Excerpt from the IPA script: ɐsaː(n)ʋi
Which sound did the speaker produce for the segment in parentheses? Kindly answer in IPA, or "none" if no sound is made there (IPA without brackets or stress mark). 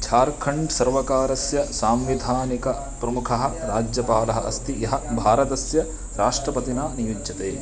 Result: m